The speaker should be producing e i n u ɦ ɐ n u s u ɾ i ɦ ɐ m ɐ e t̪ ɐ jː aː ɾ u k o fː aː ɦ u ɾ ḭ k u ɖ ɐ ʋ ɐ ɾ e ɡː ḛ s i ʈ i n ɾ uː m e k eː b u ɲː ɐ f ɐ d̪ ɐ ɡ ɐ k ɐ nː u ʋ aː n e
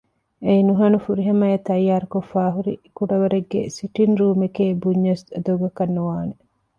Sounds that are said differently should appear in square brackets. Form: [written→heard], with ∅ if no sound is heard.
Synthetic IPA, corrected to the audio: e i n u ɦ ɐ n u [s→f] u ɾ i ɦ ɐ m ɐ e t̪ ɐ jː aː ɾ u k o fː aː ɦ u ɾ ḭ k u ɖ ɐ ʋ ɐ ɾ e ɡː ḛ s i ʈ i n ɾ uː m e k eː b u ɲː ɐ [f→s] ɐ d̪ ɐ ɡ ɐ k ɐ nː u ʋ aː n e